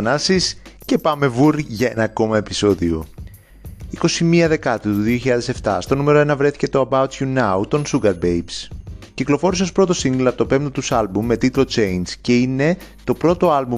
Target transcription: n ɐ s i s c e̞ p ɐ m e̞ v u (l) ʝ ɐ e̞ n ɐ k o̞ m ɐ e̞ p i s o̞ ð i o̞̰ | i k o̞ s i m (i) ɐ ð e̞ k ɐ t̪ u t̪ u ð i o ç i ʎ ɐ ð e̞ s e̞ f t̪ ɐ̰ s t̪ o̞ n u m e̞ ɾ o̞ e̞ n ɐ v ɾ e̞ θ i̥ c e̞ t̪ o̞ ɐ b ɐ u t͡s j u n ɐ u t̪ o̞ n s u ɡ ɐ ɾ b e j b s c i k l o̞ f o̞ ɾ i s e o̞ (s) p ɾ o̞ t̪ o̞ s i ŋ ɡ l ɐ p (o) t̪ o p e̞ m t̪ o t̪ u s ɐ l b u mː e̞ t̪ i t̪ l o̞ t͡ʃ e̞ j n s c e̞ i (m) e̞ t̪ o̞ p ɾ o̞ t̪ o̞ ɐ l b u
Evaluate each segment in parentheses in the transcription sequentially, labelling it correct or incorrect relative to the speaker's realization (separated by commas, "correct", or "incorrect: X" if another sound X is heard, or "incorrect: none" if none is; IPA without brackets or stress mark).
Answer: incorrect: ɾ, correct, correct, correct, incorrect: n